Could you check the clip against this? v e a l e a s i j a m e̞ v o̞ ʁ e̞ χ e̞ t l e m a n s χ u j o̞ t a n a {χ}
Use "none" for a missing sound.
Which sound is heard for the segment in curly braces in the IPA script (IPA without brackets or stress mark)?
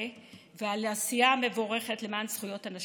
ʃ